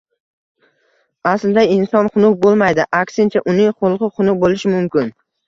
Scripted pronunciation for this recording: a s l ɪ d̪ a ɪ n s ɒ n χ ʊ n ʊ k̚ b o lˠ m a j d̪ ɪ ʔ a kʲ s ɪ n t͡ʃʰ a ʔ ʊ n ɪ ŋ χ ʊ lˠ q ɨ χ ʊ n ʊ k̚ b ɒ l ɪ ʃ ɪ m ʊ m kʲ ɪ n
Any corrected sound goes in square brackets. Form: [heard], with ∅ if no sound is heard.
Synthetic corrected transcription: a s l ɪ d̪ a ɪ n s ɒ n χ ʊ n ʊ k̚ b o lˠ m a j d̪ ɪ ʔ a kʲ s ɪ n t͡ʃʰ a ʔ ʊ n ɪ ŋ χ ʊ lˠ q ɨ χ ʊ n ʊ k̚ b [o] l ɪ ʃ ɪ m ʊ m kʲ ɪ n